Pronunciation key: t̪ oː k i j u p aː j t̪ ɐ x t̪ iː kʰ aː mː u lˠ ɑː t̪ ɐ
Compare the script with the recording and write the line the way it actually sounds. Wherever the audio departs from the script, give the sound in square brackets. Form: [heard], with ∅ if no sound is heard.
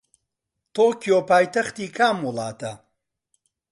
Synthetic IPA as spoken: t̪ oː k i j [o] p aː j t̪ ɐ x t̪ iː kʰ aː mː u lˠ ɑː t̪ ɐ